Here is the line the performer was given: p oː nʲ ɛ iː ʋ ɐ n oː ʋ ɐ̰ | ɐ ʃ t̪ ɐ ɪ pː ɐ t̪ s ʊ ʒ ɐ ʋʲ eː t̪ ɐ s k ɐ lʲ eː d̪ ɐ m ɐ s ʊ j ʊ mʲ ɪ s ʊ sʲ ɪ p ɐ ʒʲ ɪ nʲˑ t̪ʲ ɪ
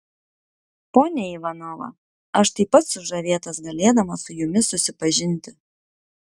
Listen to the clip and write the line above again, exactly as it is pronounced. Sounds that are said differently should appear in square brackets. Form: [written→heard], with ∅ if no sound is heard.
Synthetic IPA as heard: p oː nʲ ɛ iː ʋ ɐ n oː ʋ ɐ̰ | ɐ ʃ t̪ ɐ ɪ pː ɐ t̪ s ʊ ʒ ɐ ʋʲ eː t̪ ɐ s [k→ɡ] ɐ lʲ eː d̪ ɐ m ɐ s ʊ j ʊ mʲ ɪ s ʊ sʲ ɪ p ɐ ʒʲ ɪ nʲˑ t̪ʲ ɪ